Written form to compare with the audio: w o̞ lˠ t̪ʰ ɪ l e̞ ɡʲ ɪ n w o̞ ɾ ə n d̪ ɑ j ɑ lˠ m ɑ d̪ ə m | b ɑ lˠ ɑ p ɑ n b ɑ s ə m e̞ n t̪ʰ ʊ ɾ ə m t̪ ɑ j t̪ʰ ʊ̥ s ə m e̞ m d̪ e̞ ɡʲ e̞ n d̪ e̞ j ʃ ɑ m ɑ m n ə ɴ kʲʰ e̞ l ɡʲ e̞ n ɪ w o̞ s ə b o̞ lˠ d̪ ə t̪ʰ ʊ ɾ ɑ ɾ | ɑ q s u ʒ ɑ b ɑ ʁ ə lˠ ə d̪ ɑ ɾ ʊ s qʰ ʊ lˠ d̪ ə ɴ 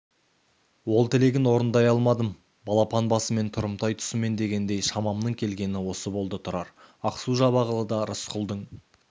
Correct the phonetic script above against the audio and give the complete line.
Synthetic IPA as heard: w o̞ lˠ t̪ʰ ɪ l e̞ ɡʲ ɪ n w o̞ ɾ ə n d̪ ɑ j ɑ lˠ m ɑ d̪ ə m | b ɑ lˠ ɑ p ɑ n b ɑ s ə m e̞ n t̪ʰ ʊ ɾ ə m t̪ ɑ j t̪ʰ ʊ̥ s ə m e̞ n d̪ e̞ ɡʲ e̞ n d̪ e̞ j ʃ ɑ m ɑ m n ə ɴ kʲʰ e̞ l ɡʲ e̞ n ɪ w o̞ s ə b o̞ lˠ d̪ ə t̪ʰ ʊ ɾ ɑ ɾ | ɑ q s u ʒ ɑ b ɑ ʁ ə lˠ ə d̪ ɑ ɾ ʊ s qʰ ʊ lˠ d̪ ə ɴ

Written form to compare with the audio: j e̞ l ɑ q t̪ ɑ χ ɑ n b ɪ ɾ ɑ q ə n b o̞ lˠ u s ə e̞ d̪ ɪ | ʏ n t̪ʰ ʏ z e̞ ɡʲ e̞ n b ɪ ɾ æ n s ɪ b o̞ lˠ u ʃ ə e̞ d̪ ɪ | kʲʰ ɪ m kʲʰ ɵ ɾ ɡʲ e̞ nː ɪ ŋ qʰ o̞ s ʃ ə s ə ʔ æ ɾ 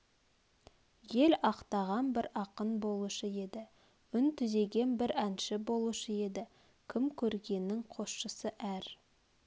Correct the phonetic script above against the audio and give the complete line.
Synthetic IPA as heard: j e̞ l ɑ q t̪ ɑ ʁ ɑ n b ɪ ɾ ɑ q ə n b o̞ lˠ u ʃ ə e̞ d̪ ɪ | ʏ n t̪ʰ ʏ z e̞ ɡʲ e̞ n b ɪ ɾ æ n ʃ ɪ b o̞ lˠ u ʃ ə e̞ d̪ ɪ | kʲʰ ɪ m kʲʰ ɵ ɾ ɡʲ e̞ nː ɪ ŋ qʰ o̞ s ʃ ə s ə ʔ æ ɾ

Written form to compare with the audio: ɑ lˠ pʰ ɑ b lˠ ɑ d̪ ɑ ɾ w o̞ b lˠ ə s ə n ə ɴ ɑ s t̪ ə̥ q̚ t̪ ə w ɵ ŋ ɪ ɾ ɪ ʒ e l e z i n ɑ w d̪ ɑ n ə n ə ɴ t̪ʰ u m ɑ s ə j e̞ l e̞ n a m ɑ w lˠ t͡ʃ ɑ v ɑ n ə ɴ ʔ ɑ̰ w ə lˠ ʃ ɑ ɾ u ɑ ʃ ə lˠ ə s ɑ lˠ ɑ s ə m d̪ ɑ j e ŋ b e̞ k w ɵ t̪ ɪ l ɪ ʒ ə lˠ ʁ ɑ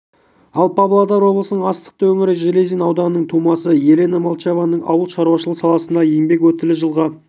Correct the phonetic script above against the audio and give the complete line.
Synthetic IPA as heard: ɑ lˠ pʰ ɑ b lˠ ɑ d̪ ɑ ɾ w o̞ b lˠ ə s ə n ə ɴ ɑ s t̪ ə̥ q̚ t̪ ə w ɵ ŋ ɪ ɾ ɪ ʒ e l e z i n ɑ w d̪ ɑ n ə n ə ɴ t̪ʰ u m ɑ s ə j e̞ l e̞ n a m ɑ lˠ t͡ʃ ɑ v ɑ n ə ɴ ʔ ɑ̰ w ə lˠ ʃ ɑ ɾ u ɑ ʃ ə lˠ ə s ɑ lˠ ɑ s ə n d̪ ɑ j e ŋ b e̞ k w ɵ t̪ ɪ l ɪ ʒ ə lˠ ʁ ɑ

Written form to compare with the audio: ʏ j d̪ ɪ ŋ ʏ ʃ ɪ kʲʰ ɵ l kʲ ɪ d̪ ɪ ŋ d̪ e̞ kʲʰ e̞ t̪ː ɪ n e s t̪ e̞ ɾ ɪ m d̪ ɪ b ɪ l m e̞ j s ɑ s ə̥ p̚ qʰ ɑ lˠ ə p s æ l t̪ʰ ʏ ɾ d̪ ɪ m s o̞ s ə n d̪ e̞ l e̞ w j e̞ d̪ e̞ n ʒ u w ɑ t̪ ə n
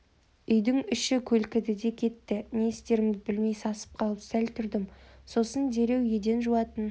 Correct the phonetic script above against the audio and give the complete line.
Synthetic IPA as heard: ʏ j d̪ ɪ ŋ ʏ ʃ ɪ kʲʰ ɵ l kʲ ɪ d̪ ɪ d̪ e̞ kʲʰ e̞ t̪ː ɪ n e s t̪ e̞ ɾ ɪ m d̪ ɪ b ɪ l m e̞ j s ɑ s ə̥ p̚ qʰ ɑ lˠ ə p s æ l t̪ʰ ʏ ɾ d̪ ɪ m s o̞ s ə n d̪ e̞ ɾ e̞ w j e̞ d̪ e̞ n ʒ u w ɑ t̪ ə n

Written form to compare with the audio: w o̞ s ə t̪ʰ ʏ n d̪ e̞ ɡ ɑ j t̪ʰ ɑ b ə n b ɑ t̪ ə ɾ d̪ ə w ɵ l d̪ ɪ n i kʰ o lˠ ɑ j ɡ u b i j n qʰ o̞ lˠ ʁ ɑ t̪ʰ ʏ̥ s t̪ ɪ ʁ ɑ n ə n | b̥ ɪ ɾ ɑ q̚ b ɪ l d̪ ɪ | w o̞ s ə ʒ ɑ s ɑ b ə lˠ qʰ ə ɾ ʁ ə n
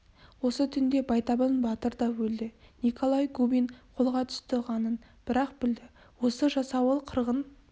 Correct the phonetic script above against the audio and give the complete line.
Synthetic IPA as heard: w o̞ s ə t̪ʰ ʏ n d̪ e̞ b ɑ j t̪ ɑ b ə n b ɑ t̪ ə ɾ d̪ ɑ w ɵ l d̪ ɪ n i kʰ o lˠ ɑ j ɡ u b i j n qʰ o̞ lˠ ʁ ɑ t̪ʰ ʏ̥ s t̪ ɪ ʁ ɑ n ə n | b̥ ɪ ɾ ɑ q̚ b ɪ l d̪ ɪ | w o̞ s ə ʒ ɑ s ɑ w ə lˠ qʰ ə ɾ ʁ ə n

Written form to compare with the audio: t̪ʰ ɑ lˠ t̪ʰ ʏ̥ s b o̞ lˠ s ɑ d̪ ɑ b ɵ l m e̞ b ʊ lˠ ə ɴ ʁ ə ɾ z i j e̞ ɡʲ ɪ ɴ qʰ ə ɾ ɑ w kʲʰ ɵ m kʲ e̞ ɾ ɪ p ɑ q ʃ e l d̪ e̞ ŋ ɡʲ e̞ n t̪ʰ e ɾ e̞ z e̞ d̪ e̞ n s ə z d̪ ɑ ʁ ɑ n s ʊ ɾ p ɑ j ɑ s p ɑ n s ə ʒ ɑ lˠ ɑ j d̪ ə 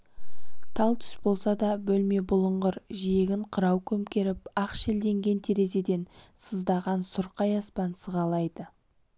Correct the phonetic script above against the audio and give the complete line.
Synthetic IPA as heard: t̪ʰ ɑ lˠ t̪ʰ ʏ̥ s b o̞ lˠ s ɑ d̪ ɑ b ɵ l m e̞ b ʊ lˠ ə ɴ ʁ ə ɾ ʒ i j e̞ ɡʲ ɪ ɴ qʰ ə ɾ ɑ w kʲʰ ɵ m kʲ e̞ ɾ ɪ p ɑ q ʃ e l d̪ e̞ ŋ ɡʲ e̞ n t̪ʰ e ɾ e̞ z e̞ d̪ e̞ n s ə z d̪ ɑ ʁ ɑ n s ʊ ɾ q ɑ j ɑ s p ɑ n s ə ʁ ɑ lˠ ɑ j d̪ ə

